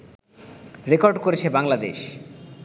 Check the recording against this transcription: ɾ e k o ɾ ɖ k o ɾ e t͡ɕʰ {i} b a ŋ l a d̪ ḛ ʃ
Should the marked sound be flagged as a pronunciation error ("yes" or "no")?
yes